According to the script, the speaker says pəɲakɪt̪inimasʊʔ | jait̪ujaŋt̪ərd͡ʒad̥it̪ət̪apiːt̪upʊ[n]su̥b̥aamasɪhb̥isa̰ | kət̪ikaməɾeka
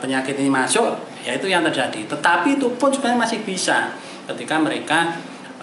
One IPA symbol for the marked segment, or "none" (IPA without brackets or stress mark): n